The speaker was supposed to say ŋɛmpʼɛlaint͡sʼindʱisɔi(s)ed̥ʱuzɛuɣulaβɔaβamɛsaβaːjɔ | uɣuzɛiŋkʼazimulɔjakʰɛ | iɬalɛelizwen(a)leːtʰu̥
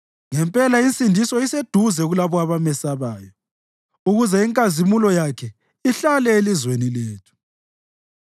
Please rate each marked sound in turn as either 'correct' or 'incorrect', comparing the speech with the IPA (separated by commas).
correct, incorrect